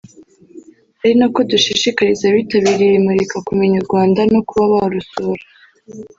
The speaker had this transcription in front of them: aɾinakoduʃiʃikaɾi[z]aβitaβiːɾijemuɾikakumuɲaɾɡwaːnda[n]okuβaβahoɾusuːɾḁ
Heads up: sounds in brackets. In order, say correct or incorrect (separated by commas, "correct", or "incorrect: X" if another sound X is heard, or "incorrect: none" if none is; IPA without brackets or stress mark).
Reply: correct, correct